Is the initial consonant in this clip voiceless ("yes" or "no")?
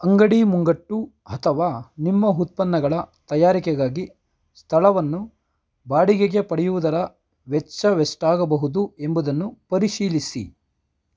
no